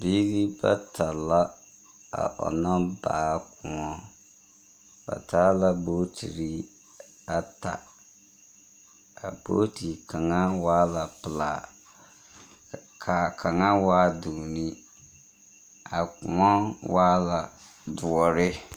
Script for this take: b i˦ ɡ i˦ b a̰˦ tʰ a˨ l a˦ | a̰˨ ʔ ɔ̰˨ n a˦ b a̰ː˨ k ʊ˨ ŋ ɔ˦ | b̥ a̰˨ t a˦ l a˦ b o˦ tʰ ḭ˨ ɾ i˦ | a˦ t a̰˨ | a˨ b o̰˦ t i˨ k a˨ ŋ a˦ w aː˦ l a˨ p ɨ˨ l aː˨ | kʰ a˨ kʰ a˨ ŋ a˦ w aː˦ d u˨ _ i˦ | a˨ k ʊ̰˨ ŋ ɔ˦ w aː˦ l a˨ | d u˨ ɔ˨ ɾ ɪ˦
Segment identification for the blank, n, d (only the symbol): n